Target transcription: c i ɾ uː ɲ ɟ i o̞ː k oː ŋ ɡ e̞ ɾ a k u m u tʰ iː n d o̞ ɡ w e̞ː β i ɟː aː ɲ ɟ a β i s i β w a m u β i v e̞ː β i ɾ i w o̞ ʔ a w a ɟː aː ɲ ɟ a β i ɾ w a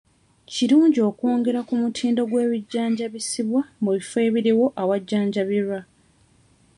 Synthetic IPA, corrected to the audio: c i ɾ uː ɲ ɟ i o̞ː k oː ŋ ɡ e̞ ɾ a k u m u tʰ iː n d o̞ ɡ w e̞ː β i ɟː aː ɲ ɟ a β i s i β w a m u β i f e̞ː β i ɾ i w o̞ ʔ a w a ɟː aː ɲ ɟ a β i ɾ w a